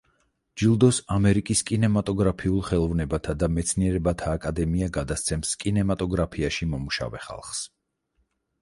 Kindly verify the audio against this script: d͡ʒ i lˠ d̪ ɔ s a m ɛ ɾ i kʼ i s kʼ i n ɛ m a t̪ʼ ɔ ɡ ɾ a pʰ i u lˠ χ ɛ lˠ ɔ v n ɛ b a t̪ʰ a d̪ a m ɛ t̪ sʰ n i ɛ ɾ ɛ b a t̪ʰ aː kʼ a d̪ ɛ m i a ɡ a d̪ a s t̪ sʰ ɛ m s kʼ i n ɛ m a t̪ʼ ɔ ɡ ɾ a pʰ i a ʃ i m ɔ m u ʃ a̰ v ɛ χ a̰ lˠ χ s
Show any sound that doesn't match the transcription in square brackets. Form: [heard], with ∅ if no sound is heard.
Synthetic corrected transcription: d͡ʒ i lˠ d̪ ɔ s a m ɛ ɾ i kʼ i s kʼ i n ɛ m a t̪ʼ ɔ ɡ ɾ a pʰ i u lˠ χ ɛ lˠ ɔ v n ɛ b a t̪ʰ a d̪ a m ɛ t̪ sʰ n i ɛ ɾ ɛ b a t̪ʰ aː kʼ a d̪ ɛ m i a ɡ a d̪ a s t̪ sʰ ɛ m s kʼ i n ɛ m a t̪ʼ ɔ ɡ ɾ a pʰ i a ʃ i m ɔ m u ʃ a̰ v ɛ χ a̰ lˠ χ s